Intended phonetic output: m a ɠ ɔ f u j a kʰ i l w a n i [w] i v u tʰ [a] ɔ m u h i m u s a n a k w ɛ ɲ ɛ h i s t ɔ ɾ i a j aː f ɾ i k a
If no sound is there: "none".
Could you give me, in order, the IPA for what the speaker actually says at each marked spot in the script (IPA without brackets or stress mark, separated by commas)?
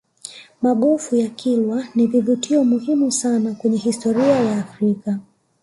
v, i